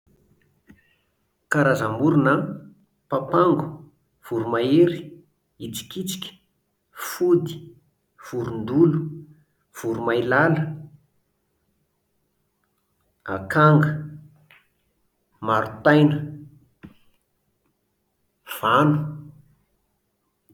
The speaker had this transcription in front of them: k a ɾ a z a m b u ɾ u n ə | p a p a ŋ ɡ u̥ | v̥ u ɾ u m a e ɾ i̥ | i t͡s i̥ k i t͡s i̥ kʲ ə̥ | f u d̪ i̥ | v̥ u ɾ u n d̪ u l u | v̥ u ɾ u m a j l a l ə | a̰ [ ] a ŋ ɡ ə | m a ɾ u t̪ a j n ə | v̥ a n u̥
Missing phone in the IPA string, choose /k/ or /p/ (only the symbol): k